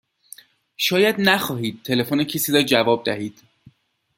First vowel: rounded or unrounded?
rounded